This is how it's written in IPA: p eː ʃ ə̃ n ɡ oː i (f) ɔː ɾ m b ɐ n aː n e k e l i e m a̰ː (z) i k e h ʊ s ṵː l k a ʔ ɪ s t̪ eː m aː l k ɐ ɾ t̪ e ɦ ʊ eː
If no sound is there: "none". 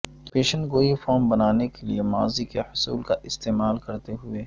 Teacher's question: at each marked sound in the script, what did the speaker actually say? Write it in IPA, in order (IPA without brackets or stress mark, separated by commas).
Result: f, z